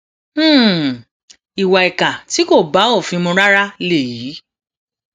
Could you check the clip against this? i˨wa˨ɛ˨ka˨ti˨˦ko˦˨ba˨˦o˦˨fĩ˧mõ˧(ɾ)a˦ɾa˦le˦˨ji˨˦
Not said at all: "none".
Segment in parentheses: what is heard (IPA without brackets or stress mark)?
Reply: ɾ